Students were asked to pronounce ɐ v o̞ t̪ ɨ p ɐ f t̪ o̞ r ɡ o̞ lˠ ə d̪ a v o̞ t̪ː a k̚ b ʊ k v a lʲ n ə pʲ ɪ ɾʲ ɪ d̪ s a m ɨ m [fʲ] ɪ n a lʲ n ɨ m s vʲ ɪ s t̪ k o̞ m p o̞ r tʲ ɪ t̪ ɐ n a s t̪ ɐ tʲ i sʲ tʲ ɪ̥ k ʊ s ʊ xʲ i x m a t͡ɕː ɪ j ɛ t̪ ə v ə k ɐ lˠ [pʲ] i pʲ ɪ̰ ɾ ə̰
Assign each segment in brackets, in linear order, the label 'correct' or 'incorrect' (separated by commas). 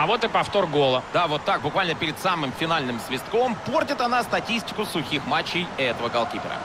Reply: correct, incorrect